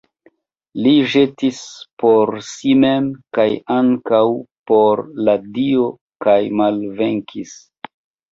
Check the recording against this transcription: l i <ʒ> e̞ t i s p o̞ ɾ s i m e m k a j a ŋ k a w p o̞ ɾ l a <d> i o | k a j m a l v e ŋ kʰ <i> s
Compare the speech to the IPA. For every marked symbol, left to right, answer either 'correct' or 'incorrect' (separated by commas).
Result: correct, correct, correct